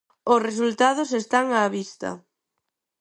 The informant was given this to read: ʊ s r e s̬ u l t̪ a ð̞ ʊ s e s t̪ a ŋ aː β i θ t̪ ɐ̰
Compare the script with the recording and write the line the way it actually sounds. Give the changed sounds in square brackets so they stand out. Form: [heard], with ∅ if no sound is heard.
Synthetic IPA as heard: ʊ s r e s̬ u l t̪ a ð̞ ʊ s e s t̪ a ŋ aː β i [s] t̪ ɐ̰

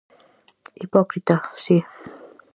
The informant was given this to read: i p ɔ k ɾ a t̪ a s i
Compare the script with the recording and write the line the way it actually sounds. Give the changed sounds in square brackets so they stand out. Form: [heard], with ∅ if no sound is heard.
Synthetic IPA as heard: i p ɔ k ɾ [i] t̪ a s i

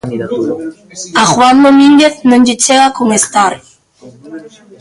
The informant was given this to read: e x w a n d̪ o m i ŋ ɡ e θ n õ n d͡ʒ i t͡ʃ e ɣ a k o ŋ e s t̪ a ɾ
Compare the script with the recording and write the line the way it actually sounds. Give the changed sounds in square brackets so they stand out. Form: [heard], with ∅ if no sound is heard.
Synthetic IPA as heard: [a] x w a n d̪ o m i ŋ ɡ e θ n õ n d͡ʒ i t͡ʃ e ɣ a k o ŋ e s t̪ a ɾ

